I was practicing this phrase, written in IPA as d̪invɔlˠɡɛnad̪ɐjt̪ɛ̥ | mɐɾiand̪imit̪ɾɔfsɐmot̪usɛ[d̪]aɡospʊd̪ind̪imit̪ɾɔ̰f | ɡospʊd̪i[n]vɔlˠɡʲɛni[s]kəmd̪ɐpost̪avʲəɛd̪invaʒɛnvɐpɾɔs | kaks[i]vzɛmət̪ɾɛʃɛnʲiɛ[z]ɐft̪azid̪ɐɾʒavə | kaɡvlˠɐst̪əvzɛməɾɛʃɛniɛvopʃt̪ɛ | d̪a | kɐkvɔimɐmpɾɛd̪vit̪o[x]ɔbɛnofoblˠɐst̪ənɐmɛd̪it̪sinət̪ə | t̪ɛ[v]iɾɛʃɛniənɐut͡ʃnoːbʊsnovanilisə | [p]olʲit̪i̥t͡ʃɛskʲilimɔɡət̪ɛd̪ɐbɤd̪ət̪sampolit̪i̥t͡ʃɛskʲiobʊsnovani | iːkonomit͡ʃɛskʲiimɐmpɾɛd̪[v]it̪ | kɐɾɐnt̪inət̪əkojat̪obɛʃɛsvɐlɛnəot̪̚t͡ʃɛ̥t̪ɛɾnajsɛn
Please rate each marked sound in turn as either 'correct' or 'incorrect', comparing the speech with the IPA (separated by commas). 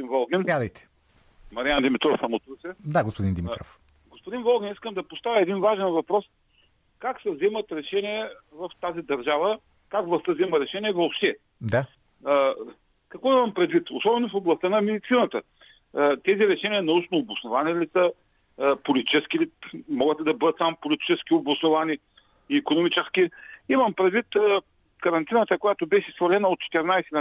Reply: correct, correct, correct, incorrect, incorrect, incorrect, incorrect, correct, correct